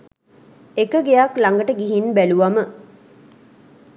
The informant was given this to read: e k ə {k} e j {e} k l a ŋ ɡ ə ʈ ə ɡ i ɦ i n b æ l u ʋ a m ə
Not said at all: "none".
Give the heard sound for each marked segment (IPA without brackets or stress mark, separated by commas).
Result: ɡ, a